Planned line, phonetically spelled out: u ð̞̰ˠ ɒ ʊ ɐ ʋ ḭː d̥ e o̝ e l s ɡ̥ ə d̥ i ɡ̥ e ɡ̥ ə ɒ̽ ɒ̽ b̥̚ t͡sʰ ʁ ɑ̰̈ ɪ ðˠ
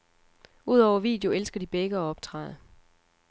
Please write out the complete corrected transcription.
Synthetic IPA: u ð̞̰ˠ ɒ ʊ ɐ ʋ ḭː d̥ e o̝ e l s ɡ̥ ɐ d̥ i b̥ e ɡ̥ ə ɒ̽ ɒ̽ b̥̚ t͡sʰ ʁ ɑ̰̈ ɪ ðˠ

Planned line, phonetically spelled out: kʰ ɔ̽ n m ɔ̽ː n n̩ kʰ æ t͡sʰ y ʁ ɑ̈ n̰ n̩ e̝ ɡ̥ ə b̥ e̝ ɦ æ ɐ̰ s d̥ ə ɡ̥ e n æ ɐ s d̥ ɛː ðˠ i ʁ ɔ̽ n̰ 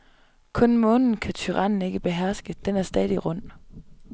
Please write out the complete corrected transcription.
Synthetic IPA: kʰ ɔ̽ n m ɔ̽ː n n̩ kʰ æ t͡sʰ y ʁ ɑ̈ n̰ n̩ e̝ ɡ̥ ə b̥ e̝ ɦ æ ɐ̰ s ɡ̥ ə d̥ e n æ ɐ s d̥ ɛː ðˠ i ʁ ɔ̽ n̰

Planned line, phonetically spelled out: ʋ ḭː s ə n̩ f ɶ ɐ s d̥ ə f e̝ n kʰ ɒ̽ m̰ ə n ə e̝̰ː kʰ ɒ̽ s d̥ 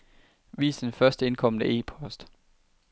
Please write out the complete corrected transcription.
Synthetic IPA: ʋ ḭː s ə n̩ f ɶ ɐ s d̥ ə e̝ n kʰ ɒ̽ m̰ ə n ə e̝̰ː pʰ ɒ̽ s d̥

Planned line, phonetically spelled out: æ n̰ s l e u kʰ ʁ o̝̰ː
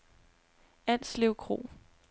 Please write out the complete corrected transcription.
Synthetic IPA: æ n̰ s l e ʊ kʰ ʁ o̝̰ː

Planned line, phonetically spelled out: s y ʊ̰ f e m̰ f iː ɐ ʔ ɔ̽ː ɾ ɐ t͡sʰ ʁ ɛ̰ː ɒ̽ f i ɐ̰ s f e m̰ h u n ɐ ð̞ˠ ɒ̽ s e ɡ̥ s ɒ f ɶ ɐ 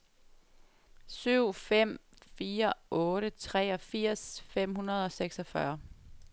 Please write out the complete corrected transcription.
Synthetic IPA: s y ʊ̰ f e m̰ f iː ɐ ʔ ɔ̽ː ɾ ə t͡sʰ ʁ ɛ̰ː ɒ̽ f i ɐ̰ s f e m̰ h u n ɐ ð̞ˠ ɒ̽ s e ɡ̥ s ɒ f ɶ ɐ

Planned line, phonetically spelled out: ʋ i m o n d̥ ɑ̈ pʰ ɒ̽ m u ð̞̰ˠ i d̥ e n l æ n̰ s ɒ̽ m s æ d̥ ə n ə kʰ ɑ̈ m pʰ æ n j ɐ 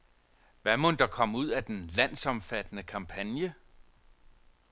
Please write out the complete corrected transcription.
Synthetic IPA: ʋ æ m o n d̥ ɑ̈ kʰ ɒ̽ m u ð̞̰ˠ æ d̥ e n l æ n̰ s ɒ̽ m f æ d̥ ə n ə kʰ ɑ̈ m pʰ æ n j ə

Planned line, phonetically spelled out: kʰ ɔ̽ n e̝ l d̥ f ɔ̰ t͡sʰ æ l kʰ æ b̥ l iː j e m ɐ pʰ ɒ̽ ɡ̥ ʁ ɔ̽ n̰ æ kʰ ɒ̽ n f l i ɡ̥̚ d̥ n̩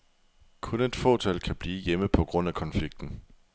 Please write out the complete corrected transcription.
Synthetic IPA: kʰ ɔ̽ n e̝ d̥ f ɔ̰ t͡sʰ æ l kʰ æ b̥ l iː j e m ə pʰ ɒ̽ ɡ̥ ʁ ɔ̽ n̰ æ kʰ ɒ̽ n f l i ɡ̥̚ d̥ n̩

